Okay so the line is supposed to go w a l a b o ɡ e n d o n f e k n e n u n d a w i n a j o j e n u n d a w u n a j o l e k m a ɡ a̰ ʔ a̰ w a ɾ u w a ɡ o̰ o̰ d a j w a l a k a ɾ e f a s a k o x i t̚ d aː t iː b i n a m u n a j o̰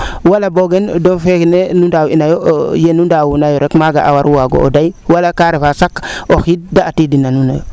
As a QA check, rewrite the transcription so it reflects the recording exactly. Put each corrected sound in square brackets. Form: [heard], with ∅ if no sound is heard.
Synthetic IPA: w a l a b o ɡ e n d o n f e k n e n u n d a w i n a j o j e n u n d a w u n a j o [ɾ] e k m a ɡ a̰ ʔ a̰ w a ɾ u w a ɡ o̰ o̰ d a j w a l a k a ɾ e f a s a k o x i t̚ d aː t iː [d] i n a [n] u n a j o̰

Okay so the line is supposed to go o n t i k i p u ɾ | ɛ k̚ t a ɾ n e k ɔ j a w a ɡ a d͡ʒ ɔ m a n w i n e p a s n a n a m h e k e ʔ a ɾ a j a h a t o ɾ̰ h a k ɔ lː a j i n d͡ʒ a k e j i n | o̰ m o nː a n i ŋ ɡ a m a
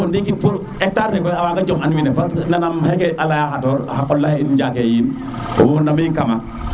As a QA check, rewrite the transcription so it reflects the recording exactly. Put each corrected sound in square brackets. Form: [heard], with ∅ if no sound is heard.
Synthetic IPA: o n [d] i k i p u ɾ | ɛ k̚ t a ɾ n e k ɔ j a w a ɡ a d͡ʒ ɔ m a n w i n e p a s n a n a m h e k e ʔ a [l] a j a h a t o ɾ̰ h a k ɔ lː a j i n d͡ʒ a k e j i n | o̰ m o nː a [m] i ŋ [k] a m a

